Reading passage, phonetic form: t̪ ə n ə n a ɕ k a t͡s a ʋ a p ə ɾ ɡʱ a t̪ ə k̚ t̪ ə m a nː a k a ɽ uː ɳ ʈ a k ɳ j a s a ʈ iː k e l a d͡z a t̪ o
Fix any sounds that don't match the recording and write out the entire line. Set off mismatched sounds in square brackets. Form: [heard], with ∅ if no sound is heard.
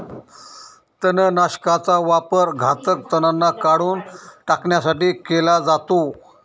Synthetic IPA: t̪ ə n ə n a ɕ k a t͡s a ʋ a p ə ɾ ɡʱ a t̪ ə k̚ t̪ ə [n] a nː a k a ɽ uː [n] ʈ a k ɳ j a s a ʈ iː k e l a d͡z a t̪ o